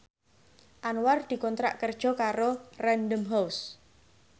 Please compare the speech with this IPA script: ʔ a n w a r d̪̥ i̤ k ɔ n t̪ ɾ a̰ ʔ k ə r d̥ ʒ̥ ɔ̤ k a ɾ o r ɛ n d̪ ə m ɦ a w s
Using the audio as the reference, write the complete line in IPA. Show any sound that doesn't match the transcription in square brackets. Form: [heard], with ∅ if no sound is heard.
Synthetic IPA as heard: ʔ a n w a r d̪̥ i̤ k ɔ n t̪ ɾ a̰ ʔ k ə r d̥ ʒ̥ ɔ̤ k a ɾ o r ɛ n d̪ ə m ɦ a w s